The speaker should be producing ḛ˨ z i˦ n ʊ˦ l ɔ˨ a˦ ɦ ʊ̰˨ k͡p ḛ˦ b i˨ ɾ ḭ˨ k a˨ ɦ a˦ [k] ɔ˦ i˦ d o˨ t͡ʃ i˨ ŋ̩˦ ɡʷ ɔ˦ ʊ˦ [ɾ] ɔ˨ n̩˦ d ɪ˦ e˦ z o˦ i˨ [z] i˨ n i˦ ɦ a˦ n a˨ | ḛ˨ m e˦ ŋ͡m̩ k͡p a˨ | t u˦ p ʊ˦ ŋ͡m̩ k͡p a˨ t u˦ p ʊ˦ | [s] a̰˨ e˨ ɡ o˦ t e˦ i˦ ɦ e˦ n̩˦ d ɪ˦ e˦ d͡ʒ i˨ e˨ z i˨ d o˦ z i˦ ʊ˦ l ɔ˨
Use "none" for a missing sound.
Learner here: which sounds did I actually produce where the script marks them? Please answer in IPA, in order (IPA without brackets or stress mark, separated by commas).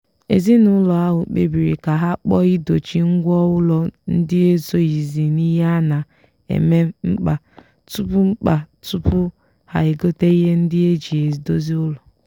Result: k͡p, l, z, h